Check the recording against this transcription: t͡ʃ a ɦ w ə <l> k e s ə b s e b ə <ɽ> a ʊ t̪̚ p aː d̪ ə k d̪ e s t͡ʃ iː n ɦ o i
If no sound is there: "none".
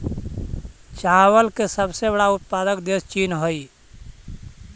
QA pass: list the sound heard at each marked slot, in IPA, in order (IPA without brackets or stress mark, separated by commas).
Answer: l, ɽ